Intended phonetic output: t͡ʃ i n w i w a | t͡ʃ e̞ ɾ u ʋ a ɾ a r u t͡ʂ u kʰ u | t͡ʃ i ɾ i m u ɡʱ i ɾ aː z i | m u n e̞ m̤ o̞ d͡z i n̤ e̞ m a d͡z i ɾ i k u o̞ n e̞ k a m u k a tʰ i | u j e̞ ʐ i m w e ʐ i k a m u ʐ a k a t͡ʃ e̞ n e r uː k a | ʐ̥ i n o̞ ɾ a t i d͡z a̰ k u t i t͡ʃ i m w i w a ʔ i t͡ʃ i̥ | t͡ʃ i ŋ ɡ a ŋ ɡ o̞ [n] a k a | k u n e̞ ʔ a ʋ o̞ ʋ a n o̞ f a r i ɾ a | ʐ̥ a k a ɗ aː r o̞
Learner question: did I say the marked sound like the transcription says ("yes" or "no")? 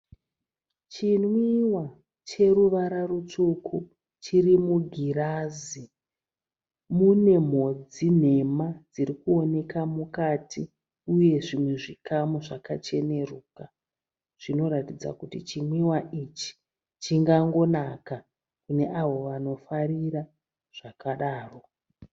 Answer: yes